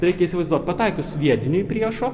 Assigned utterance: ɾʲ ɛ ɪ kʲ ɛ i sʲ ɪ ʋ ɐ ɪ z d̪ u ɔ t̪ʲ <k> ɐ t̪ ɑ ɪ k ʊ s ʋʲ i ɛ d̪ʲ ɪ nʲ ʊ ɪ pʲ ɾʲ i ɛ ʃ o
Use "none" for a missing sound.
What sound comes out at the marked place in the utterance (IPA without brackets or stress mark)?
p